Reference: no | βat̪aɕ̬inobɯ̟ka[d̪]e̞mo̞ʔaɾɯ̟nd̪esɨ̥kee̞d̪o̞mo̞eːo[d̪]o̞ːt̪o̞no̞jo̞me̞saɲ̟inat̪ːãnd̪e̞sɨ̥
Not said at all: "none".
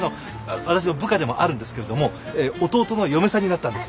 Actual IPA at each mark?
d̪, t̪

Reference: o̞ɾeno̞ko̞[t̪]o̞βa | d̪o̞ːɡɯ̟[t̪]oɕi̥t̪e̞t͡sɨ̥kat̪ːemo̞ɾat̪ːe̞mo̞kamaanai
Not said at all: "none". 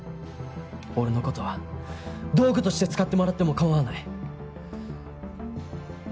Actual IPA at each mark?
t̪, t̪

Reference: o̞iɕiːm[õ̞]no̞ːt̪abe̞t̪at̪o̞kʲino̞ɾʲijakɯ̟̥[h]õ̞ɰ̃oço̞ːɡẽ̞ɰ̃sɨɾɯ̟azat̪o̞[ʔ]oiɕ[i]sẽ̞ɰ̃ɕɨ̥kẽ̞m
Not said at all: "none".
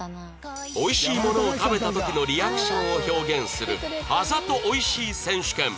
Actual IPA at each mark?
o̞, ɕ, ʔ, iː

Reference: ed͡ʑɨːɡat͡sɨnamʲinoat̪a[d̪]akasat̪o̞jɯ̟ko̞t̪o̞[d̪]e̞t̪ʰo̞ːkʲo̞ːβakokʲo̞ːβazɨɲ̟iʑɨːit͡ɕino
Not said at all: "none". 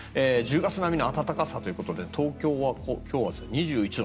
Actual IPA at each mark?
t̪, d̪

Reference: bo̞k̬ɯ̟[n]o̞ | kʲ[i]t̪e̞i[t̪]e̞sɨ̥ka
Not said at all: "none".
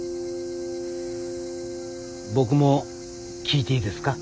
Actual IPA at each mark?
m, iː, d̪

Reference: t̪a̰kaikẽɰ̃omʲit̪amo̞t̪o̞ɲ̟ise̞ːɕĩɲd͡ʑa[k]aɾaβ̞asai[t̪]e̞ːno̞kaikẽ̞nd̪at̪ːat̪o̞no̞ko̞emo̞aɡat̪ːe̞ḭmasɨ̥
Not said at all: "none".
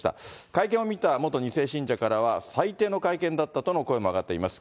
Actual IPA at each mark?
k, t̪

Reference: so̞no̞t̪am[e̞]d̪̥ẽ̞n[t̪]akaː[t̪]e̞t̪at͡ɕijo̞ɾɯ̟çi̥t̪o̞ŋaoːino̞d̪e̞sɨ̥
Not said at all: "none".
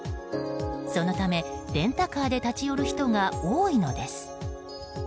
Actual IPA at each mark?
e̞, t̪, d̪

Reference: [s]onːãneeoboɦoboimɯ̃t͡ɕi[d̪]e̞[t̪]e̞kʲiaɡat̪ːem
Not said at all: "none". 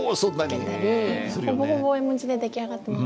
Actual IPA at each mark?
s, d̪, d̪

